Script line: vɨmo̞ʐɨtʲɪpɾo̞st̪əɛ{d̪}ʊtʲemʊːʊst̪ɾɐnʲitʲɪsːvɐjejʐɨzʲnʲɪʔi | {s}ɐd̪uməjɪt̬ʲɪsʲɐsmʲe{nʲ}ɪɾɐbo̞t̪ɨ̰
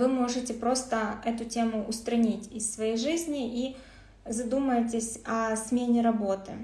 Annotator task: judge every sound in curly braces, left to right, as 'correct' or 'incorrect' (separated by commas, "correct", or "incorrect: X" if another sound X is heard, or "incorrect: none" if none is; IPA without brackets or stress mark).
incorrect: t̪, incorrect: z, correct